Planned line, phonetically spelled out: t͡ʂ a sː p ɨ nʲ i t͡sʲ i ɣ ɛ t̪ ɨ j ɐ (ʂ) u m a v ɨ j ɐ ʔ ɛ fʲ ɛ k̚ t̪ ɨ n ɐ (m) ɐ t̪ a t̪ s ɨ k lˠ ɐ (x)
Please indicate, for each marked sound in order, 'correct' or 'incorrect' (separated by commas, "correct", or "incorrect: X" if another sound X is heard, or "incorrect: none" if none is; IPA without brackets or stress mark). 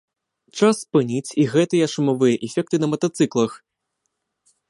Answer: correct, correct, correct